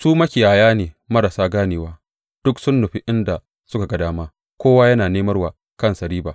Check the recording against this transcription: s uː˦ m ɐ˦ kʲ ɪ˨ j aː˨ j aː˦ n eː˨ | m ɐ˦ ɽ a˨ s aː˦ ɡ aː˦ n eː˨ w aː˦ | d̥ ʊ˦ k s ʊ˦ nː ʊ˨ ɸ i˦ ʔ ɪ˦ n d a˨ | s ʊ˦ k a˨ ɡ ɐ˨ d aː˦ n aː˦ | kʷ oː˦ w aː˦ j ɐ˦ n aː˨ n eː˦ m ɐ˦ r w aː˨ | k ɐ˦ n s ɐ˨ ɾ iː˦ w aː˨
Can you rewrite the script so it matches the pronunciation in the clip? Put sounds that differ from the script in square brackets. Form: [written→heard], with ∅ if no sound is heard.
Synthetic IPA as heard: s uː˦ m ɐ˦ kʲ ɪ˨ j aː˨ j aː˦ n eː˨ | m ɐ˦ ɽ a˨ s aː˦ ɡ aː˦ n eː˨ w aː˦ | d̥ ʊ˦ k s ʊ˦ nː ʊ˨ ɸ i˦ ʔ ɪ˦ n d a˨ | s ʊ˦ k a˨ ɡ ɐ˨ d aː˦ [n→m] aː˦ | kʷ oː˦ w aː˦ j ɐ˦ n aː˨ n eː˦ m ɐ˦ r w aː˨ | k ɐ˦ n s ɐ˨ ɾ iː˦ [w→b] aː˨